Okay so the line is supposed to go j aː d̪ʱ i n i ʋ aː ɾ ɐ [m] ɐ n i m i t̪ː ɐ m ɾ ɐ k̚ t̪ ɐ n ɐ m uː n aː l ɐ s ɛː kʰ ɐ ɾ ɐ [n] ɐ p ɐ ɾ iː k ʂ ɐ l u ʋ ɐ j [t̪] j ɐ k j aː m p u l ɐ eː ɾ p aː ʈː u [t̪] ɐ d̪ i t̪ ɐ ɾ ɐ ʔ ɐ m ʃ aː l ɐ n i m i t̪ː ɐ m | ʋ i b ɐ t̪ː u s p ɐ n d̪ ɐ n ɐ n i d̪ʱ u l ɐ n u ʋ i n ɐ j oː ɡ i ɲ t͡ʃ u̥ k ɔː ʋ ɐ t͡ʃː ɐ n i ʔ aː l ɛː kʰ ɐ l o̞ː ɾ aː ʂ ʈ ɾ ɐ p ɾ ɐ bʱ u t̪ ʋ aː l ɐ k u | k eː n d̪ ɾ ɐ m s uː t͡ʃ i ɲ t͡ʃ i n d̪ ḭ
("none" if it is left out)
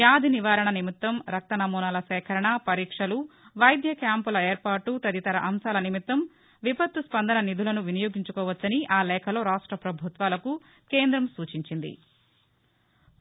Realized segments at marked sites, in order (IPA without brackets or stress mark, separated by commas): ɳ, ɳ, d̪, t̪